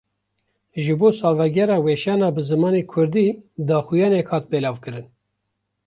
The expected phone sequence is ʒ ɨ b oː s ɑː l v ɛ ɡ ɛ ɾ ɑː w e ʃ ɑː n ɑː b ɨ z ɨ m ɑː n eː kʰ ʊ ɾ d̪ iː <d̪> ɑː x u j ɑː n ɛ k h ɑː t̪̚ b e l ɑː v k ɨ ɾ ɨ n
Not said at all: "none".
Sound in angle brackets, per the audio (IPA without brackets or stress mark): d̪